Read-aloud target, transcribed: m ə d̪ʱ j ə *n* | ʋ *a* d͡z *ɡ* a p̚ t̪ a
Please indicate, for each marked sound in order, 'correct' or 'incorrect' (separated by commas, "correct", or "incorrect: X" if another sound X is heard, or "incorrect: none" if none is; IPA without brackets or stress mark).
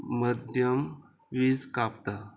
incorrect: m, incorrect: i, incorrect: k